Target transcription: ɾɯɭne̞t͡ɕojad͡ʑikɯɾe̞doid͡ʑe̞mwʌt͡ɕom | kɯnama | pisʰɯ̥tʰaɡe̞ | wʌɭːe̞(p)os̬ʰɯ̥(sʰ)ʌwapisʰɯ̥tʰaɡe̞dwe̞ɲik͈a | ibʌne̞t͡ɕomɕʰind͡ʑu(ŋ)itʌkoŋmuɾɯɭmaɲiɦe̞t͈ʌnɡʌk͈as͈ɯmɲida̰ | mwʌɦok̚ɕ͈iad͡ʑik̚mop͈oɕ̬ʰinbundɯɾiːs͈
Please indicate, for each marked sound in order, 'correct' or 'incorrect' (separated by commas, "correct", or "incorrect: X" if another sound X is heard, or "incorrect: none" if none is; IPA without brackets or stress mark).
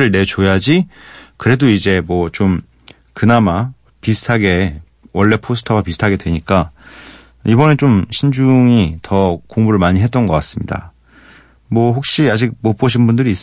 incorrect: pʰ, incorrect: tʰ, correct